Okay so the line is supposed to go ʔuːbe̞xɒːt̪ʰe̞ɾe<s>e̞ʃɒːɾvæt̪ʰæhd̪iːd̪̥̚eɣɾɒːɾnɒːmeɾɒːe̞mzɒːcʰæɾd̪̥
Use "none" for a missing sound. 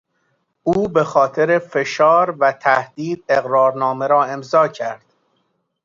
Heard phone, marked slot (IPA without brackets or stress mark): f